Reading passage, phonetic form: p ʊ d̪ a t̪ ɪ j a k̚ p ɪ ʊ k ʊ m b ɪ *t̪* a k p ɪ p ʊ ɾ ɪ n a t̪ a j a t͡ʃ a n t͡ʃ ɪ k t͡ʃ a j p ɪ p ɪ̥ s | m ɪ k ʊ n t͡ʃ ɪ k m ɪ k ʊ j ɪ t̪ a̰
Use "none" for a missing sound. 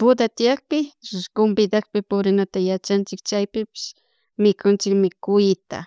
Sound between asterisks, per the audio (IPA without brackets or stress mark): d̪